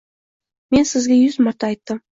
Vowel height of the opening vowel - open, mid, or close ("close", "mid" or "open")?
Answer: mid